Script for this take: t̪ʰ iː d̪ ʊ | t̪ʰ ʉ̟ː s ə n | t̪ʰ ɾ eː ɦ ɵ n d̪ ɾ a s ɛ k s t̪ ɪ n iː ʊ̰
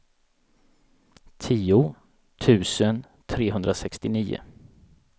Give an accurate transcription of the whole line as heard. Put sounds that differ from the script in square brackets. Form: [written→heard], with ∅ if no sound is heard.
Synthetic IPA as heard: t̪ʰ iː [d̪→∅] ʊ | t̪ʰ ʉ̟ː s ə n | t̪ʰ ɾ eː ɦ ɵ n d̪ ɾ a s ɛ k s t̪ ɪ n iː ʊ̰

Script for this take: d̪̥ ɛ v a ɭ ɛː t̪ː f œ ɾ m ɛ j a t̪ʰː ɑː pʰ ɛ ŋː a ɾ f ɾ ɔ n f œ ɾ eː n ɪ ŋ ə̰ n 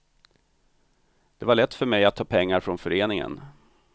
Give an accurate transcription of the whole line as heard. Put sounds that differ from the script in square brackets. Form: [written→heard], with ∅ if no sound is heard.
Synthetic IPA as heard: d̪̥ ɛ v a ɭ [ɛː→ɛ] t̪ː f œ ɾ m ɛ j a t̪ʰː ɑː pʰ ɛ ŋː a ɾ f ɾ ɔ n f œ ɾ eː n ɪ ŋ ə̰ n

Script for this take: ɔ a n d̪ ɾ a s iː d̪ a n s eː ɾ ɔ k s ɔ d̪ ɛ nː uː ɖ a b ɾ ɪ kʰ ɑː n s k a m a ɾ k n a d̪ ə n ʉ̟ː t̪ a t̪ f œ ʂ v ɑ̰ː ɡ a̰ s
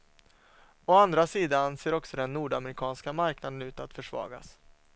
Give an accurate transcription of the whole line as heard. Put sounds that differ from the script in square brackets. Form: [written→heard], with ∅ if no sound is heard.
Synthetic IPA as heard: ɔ a n d̪ ɾ a s iː d̪ a n s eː ɾ ɔ k s ɔ d̪ ɛ nː uː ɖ a [b→m] ɾ ɪ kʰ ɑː n s k a m a ɾ k n a d̪ ə n ʉ̟ː t̪ a t̪ f œ ʂ v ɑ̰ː ɡ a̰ s

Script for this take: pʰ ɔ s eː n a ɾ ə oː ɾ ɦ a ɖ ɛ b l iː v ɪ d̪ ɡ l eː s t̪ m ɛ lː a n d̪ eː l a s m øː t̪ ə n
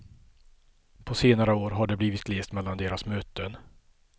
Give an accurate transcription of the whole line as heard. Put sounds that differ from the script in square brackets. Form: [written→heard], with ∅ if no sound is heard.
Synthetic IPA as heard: pʰ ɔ s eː n a ɾ ə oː ɾ ɦ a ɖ ɛ b l iː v ɪ [d̪→t̪] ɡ l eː s t̪ m ɛ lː a n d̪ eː [l→ɾ] a s m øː t̪ ə n

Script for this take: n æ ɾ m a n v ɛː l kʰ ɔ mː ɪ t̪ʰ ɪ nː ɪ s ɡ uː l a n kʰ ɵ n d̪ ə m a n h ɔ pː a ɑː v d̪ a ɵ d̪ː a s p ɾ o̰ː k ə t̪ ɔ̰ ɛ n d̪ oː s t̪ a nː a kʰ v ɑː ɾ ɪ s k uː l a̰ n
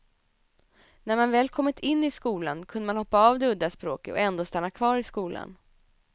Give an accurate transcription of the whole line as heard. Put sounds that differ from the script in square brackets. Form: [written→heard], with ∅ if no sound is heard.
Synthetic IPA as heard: n æ ɾ m a n v ɛː l kʰ ɔ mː ɪ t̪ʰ ɪ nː ɪ s [ɡ→k] uː l a n kʰ ɵ n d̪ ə m a n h ɔ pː a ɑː v d̪ [a→ɛ] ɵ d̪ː a s p ɾ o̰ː k ə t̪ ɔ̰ ɛ n d̪ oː s t̪ a nː a kʰ v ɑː ɾ ɪ s k uː l a̰ n

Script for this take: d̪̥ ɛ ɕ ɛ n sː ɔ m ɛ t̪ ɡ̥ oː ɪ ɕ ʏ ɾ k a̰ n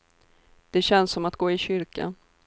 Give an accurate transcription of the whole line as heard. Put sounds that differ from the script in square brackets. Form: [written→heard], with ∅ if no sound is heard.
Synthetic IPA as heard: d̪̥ ɛ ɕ ɛ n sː ɔ m [ɛ→a] t̪ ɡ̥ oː ɪ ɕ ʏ ɾ k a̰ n

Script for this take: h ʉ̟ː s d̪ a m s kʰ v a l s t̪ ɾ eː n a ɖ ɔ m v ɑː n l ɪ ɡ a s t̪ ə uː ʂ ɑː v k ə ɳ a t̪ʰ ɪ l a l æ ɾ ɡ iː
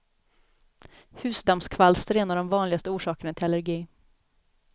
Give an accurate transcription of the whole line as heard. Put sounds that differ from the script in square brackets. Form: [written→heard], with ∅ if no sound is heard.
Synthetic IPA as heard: h ʉ̟ː s d̪ a m s kʰ v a l s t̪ ɾ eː n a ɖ ɔ m v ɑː n l ɪ ɡ a s t̪ ə uː ʂ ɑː [v→∅] k ə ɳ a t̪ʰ ɪ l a l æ ɾ ɡ iː

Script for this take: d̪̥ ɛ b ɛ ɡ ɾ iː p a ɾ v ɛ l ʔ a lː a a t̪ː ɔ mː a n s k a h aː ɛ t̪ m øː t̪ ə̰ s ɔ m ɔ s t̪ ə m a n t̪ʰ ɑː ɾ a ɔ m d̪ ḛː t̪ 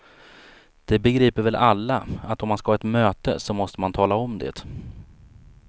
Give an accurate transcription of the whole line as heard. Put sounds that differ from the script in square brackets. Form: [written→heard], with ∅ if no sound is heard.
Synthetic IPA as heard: d̪̥ ɛ b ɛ ɡ ɾ iː p [a→ə] ɾ v ɛ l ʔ a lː a a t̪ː ɔ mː a n s k a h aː ɛ t̪ m øː t̪ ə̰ s ɔ m ɔ s t̪ ə m a n t̪ʰ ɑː [ɾ→l] a ɔ m d̪ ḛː t̪

